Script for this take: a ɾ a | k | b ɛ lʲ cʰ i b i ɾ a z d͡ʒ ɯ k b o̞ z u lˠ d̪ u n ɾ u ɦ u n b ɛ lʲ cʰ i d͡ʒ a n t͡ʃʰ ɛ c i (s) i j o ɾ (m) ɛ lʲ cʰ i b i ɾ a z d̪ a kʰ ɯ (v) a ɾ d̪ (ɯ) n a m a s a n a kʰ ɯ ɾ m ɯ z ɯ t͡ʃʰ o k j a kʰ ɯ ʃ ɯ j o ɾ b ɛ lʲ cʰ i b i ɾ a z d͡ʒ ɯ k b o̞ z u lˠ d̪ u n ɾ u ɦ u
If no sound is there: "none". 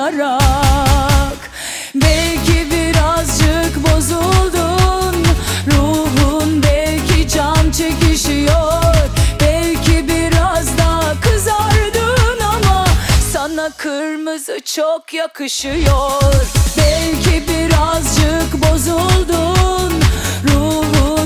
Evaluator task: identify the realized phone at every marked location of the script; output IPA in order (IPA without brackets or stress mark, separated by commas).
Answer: ʃ, b, z, ɯ